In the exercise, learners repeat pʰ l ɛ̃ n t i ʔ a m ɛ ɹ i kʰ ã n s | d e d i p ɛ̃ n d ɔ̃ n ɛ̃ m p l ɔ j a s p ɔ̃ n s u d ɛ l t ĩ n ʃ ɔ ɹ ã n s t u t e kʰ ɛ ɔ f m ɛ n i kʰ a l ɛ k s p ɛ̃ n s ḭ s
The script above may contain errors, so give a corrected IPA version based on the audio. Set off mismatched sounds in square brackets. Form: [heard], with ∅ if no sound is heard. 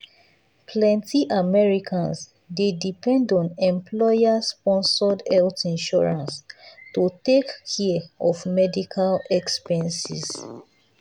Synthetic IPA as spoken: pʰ l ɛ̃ n t i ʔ a m ɛ ɹ i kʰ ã n s | d e d i p ɛ̃ n d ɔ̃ n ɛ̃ m p l ɔ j a s p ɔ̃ n s [ɔ] d ɛ l t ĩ n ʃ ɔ ɹ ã n s t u t e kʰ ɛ ɔ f m ɛ [d] i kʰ a l ɛ k s p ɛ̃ n s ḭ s